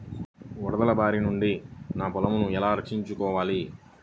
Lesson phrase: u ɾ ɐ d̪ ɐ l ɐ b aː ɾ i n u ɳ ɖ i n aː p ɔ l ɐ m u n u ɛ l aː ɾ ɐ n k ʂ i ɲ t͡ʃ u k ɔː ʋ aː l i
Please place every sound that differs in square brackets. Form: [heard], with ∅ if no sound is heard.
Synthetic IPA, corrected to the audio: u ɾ ɐ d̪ ɐ l ɐ b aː ɾ i n u ɳ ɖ i n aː p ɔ l ɐ m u n u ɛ l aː ɾ ɐ [∅] k ʂ i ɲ t͡ʃ u k ɔː ʋ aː l i